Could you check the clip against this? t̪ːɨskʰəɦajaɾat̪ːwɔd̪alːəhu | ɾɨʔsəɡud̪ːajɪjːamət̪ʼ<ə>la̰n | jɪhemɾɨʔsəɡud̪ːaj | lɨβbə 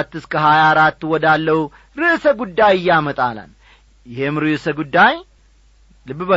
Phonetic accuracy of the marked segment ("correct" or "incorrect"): incorrect